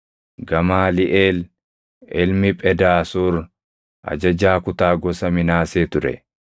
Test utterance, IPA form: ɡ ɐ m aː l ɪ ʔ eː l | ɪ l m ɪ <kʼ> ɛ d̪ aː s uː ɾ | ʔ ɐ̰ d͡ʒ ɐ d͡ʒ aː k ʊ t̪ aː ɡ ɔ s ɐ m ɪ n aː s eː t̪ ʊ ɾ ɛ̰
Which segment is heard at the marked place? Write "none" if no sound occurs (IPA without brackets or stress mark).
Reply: pʼ